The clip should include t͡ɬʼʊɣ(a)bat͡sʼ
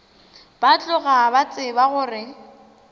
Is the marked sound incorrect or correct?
correct